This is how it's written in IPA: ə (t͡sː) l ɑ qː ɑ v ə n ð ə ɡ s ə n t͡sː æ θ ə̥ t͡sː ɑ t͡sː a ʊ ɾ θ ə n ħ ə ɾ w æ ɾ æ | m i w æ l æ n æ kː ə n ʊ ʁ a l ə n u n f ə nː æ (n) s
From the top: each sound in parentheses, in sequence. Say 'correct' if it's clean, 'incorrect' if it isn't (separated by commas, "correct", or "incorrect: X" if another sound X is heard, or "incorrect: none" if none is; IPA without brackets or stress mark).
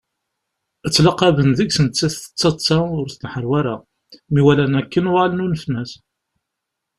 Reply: correct, incorrect: none